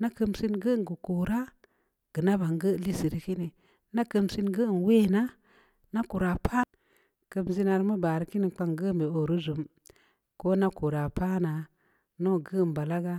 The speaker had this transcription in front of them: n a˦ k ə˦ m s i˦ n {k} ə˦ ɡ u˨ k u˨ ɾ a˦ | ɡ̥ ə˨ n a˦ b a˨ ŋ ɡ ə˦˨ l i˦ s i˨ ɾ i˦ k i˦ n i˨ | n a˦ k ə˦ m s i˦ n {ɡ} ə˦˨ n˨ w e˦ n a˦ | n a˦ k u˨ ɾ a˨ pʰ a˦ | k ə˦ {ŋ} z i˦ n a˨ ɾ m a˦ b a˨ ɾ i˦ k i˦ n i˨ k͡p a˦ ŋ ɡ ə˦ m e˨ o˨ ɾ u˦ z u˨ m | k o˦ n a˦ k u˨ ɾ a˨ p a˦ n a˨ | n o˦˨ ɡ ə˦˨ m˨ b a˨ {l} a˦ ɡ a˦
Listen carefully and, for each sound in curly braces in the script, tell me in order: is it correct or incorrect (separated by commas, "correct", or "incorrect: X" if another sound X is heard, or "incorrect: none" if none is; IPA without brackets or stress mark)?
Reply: incorrect: ɡ, correct, incorrect: m, correct